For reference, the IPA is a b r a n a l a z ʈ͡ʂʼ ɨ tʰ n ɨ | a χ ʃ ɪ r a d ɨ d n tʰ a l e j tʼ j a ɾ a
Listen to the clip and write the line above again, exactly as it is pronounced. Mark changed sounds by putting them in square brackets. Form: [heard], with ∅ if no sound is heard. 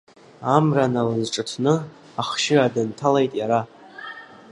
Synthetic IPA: a [m] r a n a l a z ʈ͡ʂʼ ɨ tʰ n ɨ | a χ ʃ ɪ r a d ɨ [∅] n tʰ a l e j tʼ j a ɾ a